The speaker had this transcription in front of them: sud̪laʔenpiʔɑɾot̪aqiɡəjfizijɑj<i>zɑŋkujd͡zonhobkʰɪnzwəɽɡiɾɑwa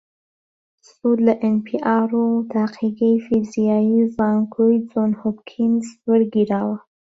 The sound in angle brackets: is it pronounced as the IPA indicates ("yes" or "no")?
yes